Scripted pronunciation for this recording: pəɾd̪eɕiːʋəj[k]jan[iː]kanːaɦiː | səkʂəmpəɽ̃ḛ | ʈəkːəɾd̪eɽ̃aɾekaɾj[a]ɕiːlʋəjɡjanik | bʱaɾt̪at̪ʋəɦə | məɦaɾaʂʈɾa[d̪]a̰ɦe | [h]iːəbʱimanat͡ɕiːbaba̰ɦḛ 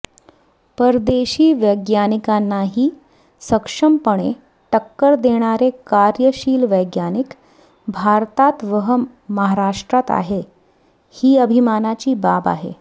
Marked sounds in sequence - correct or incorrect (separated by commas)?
incorrect, incorrect, incorrect, incorrect, correct